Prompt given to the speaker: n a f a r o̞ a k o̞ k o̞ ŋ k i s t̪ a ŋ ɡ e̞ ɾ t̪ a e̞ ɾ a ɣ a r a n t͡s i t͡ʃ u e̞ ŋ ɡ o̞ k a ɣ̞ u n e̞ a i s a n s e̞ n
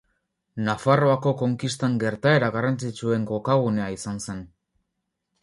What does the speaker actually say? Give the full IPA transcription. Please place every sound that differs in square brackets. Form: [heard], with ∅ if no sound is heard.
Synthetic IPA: n a f a r o̞ a k o̞ k o̞ ŋ k i s t̪ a ŋ ɡ e̞ ɾ t̪ a e̞ ɾ a ɣ a r a n t͡s i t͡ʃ u e̞ ŋ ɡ o̞ k a ɣ̞ u n e̞ a i s a n s e̞ n